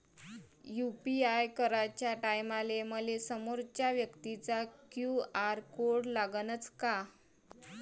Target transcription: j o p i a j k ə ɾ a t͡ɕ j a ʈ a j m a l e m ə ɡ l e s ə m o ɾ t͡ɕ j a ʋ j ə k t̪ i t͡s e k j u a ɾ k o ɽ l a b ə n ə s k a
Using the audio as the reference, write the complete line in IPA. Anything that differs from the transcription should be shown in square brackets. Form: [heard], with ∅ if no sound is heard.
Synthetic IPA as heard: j [u] p i a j k ə ɾ a t͡ɕ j a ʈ a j m a l e m ə [∅] l e s ə m o ɾ t͡ɕ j a ʋ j ə k t̪ i t͡s [a] k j u a ɾ k o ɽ l a [ɡ] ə n ə [t͡s] k a